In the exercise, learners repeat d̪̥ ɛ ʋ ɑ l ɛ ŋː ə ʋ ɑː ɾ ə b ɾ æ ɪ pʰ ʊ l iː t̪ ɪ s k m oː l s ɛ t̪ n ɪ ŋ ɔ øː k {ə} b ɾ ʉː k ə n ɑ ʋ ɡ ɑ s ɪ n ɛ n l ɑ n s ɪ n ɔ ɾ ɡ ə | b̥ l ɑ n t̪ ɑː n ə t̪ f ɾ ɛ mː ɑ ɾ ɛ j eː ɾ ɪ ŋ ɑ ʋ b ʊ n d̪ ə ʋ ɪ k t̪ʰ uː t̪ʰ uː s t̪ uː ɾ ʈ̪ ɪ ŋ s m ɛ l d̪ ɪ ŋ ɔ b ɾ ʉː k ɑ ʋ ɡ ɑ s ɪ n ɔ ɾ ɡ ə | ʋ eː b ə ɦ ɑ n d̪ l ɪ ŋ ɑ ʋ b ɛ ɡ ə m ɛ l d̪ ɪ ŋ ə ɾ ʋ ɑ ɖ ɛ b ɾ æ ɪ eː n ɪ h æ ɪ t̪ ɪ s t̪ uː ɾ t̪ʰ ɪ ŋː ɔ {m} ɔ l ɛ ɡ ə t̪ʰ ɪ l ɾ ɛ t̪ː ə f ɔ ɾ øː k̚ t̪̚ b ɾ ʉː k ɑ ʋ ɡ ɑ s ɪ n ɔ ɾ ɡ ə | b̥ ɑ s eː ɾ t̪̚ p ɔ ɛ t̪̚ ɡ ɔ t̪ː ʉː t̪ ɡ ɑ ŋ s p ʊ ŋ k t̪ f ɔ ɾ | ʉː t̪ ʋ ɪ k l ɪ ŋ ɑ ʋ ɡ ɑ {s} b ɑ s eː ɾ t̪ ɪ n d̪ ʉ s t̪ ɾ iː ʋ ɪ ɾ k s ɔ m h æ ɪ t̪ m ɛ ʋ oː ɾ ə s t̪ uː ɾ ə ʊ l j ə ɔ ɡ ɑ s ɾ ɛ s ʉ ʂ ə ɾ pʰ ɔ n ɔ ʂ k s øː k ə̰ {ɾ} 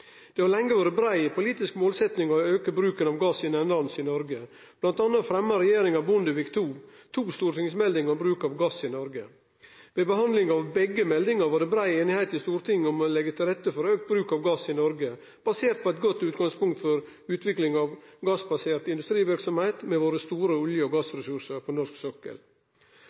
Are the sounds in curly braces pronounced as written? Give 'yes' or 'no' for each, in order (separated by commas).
yes, yes, yes, no